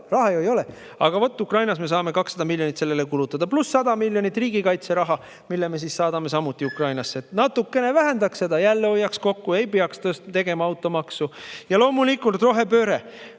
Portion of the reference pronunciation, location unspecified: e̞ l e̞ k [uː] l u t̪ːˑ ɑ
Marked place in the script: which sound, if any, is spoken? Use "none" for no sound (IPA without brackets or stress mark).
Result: u